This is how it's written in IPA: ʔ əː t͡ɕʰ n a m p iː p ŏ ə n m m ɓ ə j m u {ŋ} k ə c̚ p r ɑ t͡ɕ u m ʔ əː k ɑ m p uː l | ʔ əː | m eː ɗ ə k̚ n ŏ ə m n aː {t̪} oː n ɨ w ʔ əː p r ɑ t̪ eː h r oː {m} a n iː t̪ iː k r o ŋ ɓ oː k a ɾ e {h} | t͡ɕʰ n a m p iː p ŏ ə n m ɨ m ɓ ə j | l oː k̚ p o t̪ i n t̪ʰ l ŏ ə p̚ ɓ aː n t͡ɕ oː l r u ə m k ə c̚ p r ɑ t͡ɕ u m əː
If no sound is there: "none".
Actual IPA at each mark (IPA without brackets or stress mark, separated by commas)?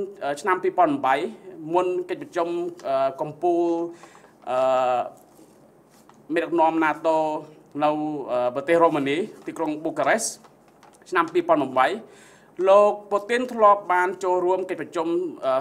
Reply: n, t̪, m, s